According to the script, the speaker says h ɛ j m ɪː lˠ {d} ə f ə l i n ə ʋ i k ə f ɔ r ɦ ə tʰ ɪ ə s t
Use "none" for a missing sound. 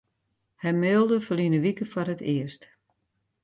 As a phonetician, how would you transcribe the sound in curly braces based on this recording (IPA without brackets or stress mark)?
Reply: d